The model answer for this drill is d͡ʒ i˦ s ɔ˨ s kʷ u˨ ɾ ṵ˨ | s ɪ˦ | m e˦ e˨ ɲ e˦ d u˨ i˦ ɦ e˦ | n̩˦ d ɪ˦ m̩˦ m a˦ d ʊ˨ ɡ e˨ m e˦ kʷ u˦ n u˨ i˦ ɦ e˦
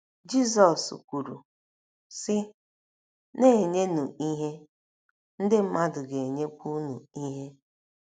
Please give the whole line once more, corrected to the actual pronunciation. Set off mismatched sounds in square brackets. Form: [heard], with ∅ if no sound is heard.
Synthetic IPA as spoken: d͡ʒ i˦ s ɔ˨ s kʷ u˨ ɾ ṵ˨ | s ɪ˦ | [n] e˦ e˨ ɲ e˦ [n] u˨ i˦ ɦ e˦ | n̩˦ d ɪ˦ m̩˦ m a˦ d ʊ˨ ɡ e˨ [ɲ] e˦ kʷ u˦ n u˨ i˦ ɦ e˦